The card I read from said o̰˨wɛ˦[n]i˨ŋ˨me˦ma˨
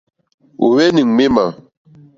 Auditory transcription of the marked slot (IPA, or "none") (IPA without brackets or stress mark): n